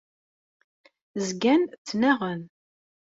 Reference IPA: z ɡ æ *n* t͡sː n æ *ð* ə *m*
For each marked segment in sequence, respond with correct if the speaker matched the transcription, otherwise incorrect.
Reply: correct, incorrect, incorrect

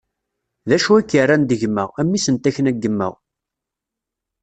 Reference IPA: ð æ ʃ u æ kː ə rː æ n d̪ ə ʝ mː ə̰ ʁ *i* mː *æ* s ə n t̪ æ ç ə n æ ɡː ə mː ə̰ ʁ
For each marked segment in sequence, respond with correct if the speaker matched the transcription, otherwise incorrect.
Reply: incorrect, incorrect

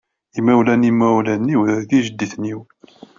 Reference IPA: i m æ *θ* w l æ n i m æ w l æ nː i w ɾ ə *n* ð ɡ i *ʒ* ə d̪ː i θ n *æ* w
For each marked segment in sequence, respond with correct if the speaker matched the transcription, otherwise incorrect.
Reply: incorrect, incorrect, correct, incorrect

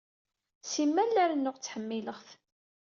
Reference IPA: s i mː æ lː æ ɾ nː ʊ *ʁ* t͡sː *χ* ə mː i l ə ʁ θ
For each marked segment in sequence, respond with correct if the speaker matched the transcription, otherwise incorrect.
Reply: correct, incorrect

